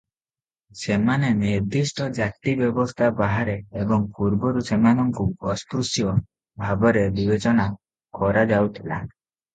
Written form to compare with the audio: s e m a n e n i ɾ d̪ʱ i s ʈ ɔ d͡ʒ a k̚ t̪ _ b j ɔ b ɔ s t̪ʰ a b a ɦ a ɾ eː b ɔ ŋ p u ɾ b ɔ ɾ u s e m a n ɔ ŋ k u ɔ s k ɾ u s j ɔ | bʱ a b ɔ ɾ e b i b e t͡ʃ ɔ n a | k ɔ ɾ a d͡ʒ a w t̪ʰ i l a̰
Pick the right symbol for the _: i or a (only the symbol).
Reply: i